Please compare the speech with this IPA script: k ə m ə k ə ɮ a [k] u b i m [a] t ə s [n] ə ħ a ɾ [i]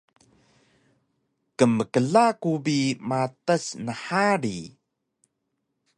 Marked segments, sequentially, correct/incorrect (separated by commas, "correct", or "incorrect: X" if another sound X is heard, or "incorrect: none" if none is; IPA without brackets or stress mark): correct, correct, correct, correct